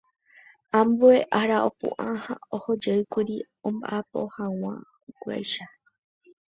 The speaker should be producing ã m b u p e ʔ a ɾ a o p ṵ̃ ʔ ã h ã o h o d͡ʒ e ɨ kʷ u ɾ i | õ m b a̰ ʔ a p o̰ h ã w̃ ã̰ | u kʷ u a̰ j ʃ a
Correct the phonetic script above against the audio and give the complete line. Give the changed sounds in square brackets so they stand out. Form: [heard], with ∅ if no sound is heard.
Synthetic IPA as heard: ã m b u [∅] e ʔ a ɾ a o p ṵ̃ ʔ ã h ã o h o d͡ʒ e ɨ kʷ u ɾ i | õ m b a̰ ʔ a p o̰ h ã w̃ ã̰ | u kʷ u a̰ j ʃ a

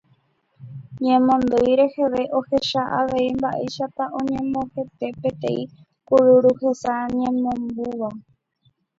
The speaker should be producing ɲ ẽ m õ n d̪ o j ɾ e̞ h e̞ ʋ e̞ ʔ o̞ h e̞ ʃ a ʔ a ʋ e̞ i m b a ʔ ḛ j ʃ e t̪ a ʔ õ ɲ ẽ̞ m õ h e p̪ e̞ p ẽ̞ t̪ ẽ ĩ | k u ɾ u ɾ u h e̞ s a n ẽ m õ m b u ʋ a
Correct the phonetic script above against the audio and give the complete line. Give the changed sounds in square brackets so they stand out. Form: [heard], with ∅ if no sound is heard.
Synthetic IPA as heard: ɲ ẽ m õ n d̪ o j ɾ e̞ h e̞ ʋ e̞ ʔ o̞ h e̞ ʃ a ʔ a ʋ e̞ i m b a ʔ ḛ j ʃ [a] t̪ a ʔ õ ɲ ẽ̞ m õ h e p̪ e̞ p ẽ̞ t̪ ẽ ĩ | k u ɾ u ɾ u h e̞ s a [ɲ] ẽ m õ m b u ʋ a

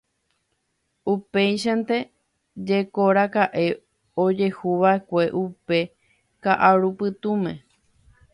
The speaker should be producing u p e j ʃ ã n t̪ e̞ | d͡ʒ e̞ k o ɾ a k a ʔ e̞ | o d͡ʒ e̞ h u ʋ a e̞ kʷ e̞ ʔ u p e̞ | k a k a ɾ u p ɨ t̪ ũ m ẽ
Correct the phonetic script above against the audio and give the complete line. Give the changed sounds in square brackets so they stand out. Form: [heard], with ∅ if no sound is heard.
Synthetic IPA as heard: u p e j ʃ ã n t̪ e̞ | d͡ʒ e̞ k o ɾ a k a ʔ e̞ | o d͡ʒ e̞ h u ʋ a e̞ kʷ e̞ ʔ u p e̞ | k a [ʔ] a ɾ u p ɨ t̪ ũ m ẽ

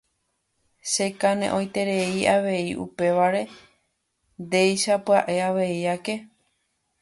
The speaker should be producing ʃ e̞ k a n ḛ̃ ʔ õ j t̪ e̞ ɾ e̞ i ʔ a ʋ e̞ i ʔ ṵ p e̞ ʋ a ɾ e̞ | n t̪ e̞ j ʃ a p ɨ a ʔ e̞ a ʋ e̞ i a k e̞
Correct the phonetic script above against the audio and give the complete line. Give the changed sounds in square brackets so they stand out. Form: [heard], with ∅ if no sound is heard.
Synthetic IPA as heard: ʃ e̞ k a n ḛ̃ ʔ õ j t̪ e̞ ɾ e̞ i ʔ a ʋ e̞ i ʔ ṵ p e̞ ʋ a ɾ e̞ | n [d̪] e̞ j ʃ a p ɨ a ʔ e̞ a ʋ e̞ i a k e̞

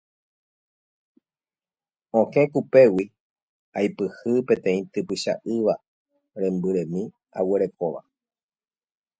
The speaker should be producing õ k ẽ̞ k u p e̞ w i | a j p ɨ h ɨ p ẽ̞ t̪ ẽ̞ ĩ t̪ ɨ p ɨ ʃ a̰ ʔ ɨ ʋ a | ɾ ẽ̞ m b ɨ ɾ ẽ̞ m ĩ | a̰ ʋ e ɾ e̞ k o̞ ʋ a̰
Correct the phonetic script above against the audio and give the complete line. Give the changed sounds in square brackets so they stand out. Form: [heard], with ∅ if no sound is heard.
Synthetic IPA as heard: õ k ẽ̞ k u p e̞ w i | a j p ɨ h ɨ p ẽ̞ t̪ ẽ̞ ĩ t̪ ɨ p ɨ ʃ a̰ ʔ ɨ ʋ a | ɾ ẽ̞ m b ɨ ɾ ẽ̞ m ĩ | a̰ [w] e ɾ e̞ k o̞ ʋ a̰

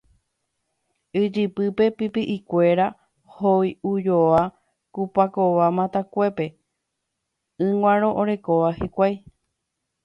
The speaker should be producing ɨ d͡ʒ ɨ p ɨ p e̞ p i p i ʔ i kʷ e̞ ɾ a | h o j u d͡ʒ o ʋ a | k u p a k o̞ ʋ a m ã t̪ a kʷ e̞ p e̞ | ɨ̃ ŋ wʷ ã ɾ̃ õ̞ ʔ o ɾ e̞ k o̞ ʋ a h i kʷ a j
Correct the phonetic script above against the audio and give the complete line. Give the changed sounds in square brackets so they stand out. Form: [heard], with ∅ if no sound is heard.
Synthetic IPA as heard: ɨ d͡ʒ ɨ p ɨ p e̞ p i p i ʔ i kʷ e̞ ɾ a | h o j u d͡ʒ o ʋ a | k u p a k o̞ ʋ a m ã t̪ a kʷ e̞ p e̞ | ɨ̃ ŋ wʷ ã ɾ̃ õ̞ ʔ o ɾ e̞ k o̞ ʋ a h i kʷ a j

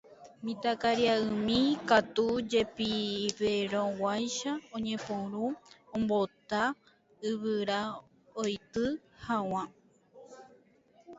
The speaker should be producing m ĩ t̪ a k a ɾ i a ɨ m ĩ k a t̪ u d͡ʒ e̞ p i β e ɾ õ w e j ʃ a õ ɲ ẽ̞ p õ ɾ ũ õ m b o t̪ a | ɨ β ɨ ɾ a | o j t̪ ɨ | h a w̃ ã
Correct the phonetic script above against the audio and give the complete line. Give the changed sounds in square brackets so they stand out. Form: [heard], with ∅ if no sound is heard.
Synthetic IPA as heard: m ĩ t̪ a k a ɾ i a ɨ m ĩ k a t̪ u d͡ʒ e̞ p i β e ɾ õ w [a] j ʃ a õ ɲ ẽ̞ p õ ɾ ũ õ m b o t̪ a | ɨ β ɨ ɾ a | o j t̪ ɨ | h a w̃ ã

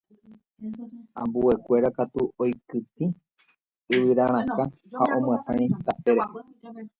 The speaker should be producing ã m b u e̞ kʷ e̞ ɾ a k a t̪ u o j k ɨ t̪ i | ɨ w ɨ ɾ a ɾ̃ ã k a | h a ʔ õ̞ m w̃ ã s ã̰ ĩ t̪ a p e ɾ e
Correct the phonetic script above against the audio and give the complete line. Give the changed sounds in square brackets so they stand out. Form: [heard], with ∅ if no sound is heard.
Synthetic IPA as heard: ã m b u e̞ kʷ e̞ ɾ a k a t̪ u o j k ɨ t̪ i | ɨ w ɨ ɾ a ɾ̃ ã k a | h a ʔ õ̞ m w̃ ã s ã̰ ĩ t̪ a p e ɾ e

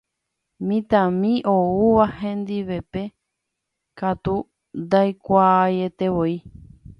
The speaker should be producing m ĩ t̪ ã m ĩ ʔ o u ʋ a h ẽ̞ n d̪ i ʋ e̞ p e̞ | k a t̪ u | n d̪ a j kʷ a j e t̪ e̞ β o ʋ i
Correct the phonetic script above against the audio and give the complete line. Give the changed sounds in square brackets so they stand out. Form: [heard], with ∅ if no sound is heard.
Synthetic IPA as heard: m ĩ t̪ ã m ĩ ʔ o u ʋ a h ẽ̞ n d̪ i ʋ e̞ p e̞ | k a t̪ u | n d̪ a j kʷ a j e t̪ e̞ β o [∅] i

